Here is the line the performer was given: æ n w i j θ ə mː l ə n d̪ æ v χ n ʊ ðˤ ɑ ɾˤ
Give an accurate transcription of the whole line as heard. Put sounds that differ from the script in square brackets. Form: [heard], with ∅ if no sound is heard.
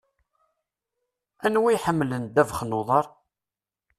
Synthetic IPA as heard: æ n w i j [ħ] ə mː l ə n d̪ æ v χ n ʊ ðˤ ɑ ɾˤ